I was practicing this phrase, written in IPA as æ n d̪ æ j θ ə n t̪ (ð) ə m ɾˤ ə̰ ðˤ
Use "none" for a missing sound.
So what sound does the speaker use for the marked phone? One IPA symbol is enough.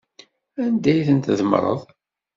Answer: ð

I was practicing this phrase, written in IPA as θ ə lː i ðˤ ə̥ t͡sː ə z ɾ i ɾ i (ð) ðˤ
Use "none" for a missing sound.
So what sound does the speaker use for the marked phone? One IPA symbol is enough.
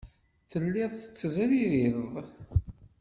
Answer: ð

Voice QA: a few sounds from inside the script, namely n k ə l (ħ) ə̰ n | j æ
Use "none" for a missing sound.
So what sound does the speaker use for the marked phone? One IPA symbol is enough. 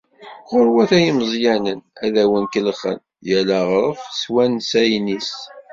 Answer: χ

